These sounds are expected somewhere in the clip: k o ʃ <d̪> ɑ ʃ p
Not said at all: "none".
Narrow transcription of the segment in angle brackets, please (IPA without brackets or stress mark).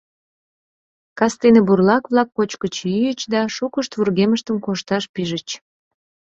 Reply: t̪